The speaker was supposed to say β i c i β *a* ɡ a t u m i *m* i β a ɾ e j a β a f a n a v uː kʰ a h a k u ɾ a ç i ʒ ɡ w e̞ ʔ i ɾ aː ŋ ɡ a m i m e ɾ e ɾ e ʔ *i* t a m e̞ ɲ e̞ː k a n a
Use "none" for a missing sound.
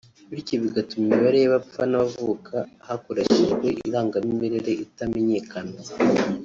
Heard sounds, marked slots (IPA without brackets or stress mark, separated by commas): i, m, i